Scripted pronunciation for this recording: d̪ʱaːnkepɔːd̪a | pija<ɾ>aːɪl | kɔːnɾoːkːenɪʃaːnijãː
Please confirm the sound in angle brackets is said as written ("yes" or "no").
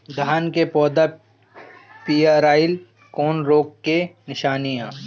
yes